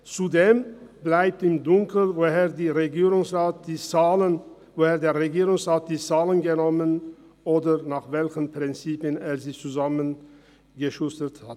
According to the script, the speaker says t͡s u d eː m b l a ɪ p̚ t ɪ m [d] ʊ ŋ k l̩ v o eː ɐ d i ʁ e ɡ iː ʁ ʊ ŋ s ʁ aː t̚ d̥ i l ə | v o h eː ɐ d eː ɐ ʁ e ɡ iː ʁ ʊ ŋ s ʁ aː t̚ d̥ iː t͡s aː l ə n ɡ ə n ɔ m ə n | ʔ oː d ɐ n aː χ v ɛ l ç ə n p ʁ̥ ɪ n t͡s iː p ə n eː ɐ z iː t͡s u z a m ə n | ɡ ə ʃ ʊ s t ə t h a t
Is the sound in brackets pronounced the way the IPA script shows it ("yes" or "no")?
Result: yes